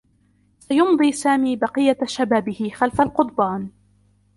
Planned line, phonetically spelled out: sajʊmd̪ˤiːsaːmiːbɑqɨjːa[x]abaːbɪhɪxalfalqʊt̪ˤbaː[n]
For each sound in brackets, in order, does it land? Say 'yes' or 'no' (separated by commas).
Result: no, yes